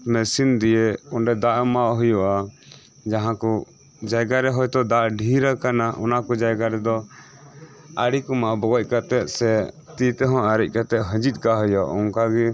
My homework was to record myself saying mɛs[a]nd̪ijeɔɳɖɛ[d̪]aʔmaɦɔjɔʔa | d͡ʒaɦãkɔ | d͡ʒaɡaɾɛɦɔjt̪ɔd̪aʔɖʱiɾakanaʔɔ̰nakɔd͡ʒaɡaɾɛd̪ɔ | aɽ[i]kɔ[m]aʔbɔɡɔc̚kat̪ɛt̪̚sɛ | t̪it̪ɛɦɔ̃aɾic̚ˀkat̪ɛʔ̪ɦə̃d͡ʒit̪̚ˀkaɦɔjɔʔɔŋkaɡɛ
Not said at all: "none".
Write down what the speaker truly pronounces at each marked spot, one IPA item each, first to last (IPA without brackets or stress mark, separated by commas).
i, d̪, i, m